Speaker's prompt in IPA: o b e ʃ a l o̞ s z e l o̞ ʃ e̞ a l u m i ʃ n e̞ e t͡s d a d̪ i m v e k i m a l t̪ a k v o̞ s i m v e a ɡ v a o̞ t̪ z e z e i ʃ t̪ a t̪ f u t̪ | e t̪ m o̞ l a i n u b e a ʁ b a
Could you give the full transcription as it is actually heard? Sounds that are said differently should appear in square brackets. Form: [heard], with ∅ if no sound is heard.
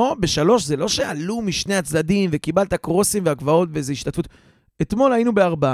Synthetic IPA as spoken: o b e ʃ a l o̞ [ʃ] z e l o̞ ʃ e̞ a l u m i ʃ n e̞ [a] t͡s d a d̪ i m v e k i [b] a l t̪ a k [ʁ] o̞ s i m v e a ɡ v a o̞ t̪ [v] e z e i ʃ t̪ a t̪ f u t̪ | e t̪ m o̞ l a i n u b e a ʁ b a